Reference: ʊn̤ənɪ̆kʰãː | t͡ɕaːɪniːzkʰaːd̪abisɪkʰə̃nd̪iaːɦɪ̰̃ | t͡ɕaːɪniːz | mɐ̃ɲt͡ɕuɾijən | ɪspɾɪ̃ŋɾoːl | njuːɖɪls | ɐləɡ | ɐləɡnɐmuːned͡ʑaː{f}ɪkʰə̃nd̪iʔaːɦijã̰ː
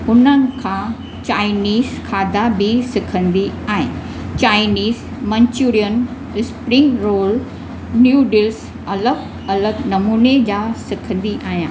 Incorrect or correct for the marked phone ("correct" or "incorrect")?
incorrect